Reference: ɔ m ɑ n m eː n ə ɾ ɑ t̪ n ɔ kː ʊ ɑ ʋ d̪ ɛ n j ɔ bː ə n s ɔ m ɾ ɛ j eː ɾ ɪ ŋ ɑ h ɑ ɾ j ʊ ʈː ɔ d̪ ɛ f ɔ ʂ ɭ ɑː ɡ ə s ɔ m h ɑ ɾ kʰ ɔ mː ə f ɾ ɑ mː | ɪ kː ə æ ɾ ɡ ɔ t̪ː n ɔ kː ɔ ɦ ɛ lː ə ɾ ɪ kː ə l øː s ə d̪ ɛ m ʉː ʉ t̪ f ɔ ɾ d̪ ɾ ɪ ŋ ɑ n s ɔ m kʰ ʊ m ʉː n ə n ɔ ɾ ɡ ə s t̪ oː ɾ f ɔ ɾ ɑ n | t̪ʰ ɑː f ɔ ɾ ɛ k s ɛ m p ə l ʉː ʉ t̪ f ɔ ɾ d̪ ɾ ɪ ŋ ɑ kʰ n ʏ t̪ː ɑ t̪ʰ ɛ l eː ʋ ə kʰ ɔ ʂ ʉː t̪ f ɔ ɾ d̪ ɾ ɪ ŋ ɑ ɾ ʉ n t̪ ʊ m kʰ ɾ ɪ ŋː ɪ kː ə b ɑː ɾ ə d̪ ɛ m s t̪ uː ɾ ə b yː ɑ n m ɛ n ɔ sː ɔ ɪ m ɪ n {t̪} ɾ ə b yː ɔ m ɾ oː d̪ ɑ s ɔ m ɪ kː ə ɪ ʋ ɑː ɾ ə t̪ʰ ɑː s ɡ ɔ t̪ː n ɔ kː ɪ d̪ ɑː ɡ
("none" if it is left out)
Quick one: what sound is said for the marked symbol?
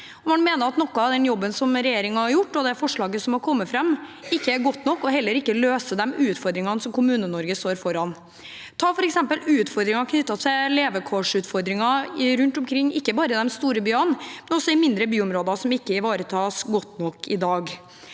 d̪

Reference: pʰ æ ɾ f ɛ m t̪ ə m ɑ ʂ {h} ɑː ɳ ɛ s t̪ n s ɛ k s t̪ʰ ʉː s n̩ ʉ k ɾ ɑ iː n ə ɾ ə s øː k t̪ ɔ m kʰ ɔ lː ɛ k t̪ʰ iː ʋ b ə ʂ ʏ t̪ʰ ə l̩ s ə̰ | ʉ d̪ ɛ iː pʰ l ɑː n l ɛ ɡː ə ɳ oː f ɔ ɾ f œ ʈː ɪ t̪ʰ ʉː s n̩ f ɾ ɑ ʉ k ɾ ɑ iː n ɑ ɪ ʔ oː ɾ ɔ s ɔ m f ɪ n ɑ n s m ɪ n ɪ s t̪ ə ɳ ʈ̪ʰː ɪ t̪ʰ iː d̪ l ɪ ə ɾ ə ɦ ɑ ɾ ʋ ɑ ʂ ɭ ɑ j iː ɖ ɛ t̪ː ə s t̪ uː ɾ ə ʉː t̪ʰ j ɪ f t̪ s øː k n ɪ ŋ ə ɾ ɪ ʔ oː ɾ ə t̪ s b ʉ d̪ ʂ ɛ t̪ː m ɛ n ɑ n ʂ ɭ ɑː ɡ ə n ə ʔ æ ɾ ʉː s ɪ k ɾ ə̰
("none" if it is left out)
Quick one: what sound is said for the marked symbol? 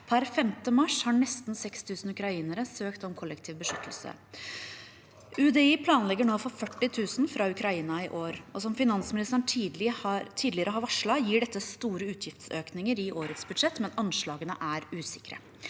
h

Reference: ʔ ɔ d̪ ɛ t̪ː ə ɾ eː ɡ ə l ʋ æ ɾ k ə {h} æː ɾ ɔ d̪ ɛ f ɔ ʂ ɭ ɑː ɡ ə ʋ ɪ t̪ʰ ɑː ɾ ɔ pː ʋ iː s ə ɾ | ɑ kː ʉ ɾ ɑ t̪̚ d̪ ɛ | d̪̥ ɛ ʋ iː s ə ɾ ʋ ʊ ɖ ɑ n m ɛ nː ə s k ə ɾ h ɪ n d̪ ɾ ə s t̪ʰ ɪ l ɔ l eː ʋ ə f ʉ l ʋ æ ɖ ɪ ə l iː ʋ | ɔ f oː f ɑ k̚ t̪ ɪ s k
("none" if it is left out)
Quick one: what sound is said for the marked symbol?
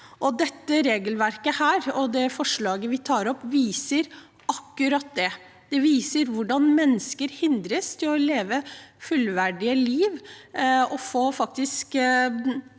h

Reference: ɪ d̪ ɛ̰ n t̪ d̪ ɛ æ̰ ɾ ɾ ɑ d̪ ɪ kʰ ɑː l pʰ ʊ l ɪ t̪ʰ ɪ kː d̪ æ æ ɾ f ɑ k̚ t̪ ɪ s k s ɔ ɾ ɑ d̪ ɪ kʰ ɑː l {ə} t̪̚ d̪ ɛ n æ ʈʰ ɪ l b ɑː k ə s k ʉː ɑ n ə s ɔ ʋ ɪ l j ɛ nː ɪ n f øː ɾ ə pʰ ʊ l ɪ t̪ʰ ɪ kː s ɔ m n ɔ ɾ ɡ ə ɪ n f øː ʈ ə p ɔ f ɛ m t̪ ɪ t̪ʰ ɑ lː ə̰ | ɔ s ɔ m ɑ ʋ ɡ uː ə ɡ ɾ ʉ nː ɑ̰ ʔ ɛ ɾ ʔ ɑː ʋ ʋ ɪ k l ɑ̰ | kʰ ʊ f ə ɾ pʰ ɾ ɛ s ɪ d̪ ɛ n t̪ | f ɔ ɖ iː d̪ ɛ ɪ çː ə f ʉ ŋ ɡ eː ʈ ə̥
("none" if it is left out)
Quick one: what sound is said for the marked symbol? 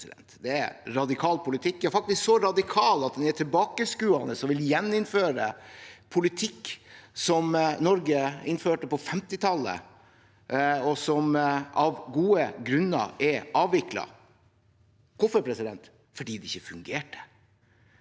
ɑ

